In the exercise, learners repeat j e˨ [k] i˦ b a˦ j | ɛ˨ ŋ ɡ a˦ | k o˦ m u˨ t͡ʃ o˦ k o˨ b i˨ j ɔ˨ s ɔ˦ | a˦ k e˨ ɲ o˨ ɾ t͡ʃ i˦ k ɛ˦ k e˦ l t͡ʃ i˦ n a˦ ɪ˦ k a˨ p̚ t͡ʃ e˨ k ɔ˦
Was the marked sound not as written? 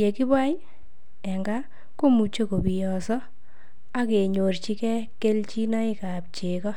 no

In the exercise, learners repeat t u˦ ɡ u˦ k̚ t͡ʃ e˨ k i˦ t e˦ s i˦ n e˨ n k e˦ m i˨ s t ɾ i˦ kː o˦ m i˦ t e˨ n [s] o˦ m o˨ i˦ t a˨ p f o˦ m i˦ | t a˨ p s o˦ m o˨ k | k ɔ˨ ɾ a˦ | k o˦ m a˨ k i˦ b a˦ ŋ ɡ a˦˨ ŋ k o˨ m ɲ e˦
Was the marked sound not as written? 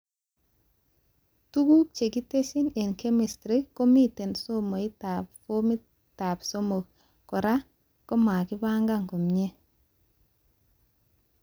no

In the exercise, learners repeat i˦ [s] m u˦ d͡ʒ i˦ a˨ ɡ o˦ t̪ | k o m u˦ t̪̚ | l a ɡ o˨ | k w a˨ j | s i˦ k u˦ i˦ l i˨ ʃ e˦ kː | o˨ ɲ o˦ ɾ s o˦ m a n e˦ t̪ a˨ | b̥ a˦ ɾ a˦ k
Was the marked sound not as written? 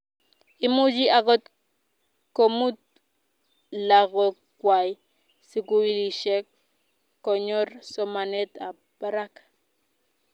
yes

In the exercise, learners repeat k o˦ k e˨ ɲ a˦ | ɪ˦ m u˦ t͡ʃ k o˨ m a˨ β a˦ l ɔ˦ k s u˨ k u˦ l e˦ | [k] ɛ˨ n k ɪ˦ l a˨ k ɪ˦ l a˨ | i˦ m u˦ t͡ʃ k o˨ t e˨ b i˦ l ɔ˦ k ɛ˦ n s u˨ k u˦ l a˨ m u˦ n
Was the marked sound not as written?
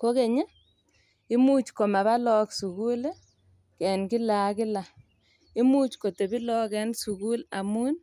no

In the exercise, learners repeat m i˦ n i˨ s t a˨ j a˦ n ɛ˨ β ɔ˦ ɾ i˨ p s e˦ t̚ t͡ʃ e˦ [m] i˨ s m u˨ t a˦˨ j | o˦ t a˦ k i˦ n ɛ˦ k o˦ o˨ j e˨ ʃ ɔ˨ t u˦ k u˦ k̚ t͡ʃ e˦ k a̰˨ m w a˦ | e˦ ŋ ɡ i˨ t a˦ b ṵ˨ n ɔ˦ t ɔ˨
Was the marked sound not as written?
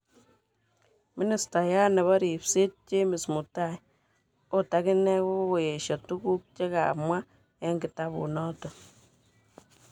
no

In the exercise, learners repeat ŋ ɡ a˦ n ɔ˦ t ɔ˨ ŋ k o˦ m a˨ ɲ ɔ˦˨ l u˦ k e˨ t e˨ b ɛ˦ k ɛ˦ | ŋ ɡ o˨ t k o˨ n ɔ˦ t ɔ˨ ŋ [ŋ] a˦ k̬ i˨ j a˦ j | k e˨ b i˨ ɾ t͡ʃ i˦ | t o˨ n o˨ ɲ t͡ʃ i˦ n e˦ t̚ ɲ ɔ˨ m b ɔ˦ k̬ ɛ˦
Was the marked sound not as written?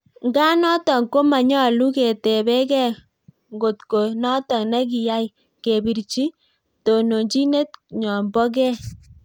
yes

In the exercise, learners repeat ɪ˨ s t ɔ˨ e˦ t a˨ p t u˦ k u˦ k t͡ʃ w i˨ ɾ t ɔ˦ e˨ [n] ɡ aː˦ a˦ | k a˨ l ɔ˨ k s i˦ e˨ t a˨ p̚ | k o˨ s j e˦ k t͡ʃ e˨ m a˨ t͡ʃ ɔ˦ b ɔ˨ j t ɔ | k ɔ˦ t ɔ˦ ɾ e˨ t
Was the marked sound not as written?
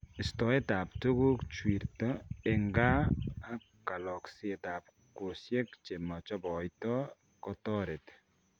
yes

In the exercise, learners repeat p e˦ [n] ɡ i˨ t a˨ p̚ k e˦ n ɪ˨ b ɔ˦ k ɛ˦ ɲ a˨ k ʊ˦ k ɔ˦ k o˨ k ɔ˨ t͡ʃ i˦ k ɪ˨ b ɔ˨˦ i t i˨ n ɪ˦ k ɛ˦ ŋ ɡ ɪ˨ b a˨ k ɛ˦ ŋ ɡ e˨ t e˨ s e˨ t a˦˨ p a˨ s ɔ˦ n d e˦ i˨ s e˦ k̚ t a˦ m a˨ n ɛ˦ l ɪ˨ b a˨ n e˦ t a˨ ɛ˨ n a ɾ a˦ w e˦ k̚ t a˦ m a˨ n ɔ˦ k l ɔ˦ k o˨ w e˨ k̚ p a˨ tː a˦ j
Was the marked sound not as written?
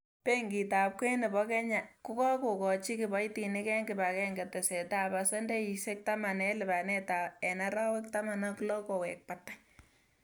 yes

